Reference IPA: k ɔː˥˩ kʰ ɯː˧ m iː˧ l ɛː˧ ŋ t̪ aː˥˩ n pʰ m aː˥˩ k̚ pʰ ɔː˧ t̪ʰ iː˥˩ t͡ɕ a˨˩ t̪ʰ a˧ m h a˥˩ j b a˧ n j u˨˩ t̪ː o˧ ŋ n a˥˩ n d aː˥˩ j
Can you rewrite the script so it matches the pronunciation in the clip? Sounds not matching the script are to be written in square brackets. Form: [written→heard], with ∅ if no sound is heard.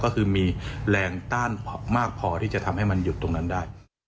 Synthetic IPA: k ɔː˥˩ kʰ ɯː˧ m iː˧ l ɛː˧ ŋ t̪ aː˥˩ n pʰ m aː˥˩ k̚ pʰ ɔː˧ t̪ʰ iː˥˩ t͡ɕ a˨˩ t̪ʰ a˧ m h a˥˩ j [b→m] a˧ n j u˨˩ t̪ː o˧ ŋ n [a˥˩→a˦˥] n d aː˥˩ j